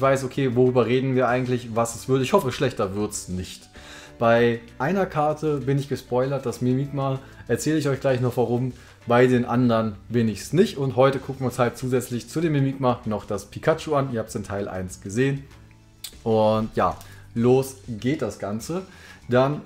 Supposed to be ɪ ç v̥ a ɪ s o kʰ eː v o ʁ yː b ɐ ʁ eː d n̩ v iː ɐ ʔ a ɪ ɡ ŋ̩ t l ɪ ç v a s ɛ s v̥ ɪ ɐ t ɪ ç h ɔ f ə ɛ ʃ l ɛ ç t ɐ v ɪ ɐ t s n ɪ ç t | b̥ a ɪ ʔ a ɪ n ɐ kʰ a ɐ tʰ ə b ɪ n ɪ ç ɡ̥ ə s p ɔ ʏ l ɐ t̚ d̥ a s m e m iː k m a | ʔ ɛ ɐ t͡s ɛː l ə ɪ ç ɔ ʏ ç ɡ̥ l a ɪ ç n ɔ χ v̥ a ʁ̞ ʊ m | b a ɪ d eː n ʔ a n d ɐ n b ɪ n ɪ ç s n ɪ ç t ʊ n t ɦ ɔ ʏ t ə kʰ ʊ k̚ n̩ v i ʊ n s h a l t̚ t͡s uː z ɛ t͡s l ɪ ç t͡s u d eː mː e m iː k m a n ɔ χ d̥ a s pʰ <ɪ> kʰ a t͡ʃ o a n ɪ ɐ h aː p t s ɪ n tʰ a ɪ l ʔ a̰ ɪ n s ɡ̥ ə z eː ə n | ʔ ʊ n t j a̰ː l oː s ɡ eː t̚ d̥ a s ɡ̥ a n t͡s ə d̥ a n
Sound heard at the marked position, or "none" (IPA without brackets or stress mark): i